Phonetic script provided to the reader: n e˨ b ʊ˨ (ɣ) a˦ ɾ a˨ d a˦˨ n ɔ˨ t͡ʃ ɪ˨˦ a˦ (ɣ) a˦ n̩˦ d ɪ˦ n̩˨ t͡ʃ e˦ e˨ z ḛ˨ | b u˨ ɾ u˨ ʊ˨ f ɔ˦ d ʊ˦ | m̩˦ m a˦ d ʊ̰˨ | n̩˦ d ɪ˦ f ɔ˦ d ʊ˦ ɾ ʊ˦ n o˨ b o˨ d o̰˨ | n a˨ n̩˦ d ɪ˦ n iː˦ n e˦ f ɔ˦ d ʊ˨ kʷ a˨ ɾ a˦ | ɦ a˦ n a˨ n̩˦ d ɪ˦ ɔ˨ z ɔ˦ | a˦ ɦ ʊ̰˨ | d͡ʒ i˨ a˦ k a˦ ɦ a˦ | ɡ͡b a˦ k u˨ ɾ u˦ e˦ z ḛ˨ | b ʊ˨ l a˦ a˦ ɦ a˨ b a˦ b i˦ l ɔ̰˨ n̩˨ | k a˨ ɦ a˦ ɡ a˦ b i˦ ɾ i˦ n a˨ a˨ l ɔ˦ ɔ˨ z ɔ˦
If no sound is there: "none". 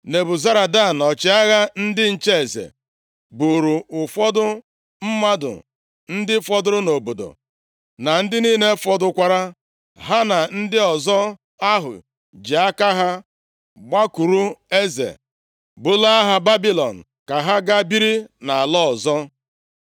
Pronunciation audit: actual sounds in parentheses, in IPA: z, ɣ

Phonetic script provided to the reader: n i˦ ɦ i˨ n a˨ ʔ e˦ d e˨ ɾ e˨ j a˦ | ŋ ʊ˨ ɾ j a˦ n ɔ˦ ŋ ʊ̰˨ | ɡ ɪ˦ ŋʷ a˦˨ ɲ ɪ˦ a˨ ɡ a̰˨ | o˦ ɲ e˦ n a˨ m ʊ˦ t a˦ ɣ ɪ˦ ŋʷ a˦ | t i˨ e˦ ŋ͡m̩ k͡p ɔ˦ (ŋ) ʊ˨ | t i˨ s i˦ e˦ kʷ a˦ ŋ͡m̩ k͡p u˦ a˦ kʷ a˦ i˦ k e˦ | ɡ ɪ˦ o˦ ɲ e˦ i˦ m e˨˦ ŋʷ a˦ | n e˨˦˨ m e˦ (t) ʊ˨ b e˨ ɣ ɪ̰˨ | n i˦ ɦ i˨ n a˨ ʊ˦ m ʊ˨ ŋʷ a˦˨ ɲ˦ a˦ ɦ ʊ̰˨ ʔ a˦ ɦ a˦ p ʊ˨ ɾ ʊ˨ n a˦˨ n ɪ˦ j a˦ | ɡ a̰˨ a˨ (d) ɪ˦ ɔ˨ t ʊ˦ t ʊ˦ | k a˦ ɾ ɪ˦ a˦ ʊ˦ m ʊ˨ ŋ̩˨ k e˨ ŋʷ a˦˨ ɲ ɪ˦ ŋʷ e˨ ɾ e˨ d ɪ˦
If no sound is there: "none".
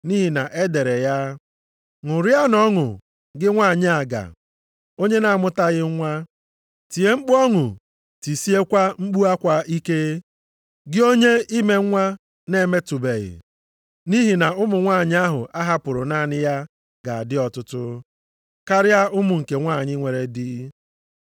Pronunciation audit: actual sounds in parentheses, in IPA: ŋ, t, d

